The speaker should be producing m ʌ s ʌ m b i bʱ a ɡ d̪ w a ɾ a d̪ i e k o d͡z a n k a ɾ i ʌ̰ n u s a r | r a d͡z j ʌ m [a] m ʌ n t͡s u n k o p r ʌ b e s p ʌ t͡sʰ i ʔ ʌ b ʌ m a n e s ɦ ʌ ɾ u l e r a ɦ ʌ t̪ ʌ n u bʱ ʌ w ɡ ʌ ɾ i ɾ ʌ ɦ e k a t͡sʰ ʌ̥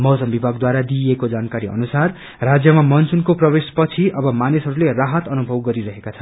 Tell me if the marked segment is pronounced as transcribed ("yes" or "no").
yes